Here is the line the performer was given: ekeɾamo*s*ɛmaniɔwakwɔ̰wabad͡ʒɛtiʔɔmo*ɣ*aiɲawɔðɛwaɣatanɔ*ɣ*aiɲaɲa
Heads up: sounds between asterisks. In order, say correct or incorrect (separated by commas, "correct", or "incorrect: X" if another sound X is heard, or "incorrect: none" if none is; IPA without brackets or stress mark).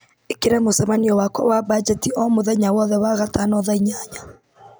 correct, incorrect: ð, incorrect: ð